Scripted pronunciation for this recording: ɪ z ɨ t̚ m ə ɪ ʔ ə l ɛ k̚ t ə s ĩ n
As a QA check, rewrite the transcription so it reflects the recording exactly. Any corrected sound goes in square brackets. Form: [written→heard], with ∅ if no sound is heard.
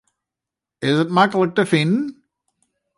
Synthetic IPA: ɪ z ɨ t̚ m [ə→a] ɪ [ʔ→k] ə l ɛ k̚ t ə [s→f] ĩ n